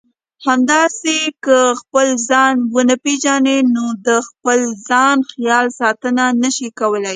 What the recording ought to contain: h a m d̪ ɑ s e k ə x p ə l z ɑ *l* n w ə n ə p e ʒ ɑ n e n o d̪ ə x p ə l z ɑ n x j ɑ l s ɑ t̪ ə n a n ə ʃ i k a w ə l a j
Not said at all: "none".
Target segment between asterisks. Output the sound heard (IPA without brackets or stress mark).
none